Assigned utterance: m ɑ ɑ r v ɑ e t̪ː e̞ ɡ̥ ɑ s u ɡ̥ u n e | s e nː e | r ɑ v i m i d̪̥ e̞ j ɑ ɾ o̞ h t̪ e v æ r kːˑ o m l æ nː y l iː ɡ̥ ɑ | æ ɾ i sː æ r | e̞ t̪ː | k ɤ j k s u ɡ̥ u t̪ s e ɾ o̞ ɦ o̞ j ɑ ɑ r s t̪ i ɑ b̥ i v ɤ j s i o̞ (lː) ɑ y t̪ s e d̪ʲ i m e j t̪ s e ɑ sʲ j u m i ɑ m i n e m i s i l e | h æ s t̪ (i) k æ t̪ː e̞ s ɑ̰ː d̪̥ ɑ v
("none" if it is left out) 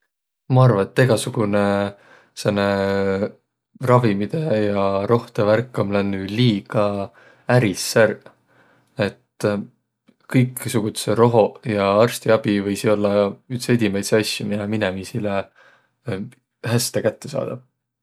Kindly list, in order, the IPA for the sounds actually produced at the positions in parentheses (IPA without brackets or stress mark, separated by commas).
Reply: lː, e